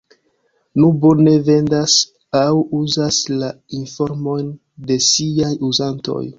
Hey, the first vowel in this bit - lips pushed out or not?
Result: yes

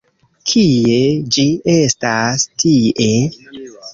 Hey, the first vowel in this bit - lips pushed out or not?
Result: no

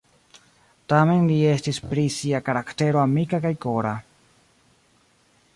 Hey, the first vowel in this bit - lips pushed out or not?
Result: no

